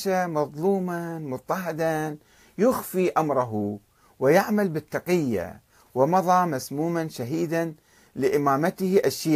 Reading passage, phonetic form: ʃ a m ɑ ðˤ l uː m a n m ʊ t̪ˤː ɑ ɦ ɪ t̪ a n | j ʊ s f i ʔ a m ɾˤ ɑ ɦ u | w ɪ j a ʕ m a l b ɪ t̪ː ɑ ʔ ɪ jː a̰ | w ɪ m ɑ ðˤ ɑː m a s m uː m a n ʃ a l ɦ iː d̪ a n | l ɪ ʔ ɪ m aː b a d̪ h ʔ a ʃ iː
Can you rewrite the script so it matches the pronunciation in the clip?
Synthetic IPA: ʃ a m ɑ ðˤ l uː m a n m ʊ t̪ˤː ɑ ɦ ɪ d̪ a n | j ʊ x f i ʔ a m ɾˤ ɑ ɦ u | w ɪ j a ʕ m a l b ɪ t̪ː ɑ q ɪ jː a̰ | w ɪ m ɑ ðˤ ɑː m a s m uː m a n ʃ a ɦ iː d̪ a n | l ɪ ʔ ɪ m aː m a t̪ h ʔ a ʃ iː